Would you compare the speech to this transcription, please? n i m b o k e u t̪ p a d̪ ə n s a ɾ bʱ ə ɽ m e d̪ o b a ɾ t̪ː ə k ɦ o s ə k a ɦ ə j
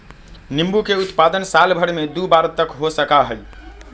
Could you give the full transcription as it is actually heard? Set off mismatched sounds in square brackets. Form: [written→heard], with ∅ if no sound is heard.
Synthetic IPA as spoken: n i m b [o→u] k e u t̪ p a d̪ ə n s a [ɾ→l] bʱ ə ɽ m e d̪ [o→u] b a ɾ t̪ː ə k ɦ o s ə k a ɦ ə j